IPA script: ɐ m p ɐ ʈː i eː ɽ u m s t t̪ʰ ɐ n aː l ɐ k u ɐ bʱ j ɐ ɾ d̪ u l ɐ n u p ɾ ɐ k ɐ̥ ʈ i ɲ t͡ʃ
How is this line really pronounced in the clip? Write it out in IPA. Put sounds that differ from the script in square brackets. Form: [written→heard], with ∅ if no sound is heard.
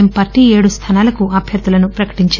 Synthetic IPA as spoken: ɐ m p ɐ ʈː i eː ɽ u [m→∅] s t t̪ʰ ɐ n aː l ɐ k u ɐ bʱ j ɐ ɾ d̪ u l ɐ n u p ɾ ɐ k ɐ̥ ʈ i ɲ t͡ʃ